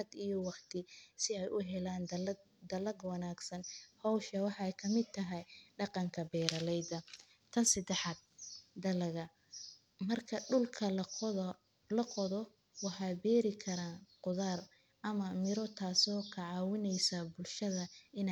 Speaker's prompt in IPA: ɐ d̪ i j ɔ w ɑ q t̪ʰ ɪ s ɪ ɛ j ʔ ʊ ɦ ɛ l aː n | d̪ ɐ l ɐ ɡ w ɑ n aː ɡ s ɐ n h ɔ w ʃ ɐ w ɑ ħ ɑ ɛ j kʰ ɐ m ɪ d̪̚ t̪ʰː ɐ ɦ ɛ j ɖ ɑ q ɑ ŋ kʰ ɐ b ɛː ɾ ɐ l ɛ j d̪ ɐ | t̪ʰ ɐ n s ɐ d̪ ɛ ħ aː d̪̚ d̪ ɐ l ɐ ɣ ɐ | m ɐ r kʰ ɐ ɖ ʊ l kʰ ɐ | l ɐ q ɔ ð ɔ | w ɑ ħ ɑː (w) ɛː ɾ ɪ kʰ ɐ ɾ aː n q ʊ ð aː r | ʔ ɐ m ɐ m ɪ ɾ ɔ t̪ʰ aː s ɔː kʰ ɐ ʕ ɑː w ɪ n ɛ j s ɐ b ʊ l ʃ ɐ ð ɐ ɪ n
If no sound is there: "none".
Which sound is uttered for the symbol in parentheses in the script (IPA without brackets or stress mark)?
b